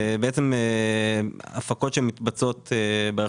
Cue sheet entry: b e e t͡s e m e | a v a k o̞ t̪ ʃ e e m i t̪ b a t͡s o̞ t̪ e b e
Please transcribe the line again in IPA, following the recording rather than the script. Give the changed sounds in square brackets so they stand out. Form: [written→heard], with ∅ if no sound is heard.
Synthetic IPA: b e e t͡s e m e | a [v→f] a k o̞ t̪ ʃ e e m i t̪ b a t͡s o̞ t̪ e b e